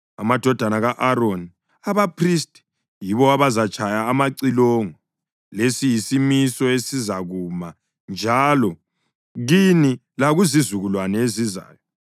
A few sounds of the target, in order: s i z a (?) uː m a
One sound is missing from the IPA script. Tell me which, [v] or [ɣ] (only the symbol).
ɣ